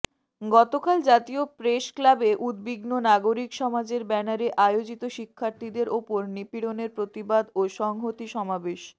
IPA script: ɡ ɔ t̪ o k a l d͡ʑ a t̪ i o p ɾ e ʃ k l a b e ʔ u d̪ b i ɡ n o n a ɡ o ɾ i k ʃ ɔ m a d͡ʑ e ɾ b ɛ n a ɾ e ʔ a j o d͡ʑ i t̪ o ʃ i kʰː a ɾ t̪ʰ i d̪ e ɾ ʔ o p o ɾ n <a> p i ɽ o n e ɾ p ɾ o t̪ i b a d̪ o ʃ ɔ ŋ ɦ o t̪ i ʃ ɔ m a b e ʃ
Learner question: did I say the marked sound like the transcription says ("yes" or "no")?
no